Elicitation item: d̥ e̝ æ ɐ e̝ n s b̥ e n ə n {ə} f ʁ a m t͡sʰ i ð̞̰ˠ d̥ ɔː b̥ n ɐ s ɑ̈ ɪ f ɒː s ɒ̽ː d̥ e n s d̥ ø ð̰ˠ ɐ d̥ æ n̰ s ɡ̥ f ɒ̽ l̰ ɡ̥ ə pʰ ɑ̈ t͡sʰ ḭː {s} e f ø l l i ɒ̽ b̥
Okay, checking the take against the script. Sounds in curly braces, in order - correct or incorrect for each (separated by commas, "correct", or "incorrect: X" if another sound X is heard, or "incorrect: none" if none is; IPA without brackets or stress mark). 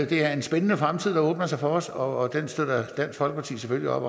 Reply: correct, correct